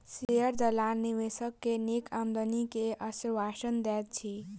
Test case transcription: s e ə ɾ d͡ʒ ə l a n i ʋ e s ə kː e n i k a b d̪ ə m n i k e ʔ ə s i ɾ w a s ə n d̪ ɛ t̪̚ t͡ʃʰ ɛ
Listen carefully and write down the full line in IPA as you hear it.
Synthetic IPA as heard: s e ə ɾ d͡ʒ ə l a n i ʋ e s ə kː e n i k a m d̪ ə n i k e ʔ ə s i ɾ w a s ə n d̪ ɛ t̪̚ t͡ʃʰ i